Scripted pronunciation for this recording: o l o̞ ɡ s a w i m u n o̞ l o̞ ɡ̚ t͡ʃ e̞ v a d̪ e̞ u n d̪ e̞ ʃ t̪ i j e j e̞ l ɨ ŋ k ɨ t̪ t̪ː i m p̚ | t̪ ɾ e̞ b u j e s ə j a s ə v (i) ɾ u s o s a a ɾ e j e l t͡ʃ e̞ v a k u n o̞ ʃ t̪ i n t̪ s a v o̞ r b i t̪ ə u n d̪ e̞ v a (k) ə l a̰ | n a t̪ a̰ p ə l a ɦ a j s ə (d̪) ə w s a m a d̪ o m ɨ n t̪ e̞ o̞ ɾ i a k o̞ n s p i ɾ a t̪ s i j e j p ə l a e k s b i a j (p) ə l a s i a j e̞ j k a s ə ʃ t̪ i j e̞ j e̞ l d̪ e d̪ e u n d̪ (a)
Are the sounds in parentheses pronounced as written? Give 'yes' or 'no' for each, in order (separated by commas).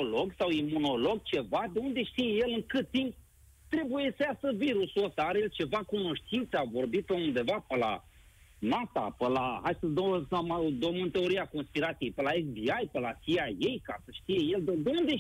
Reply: yes, no, yes, yes, no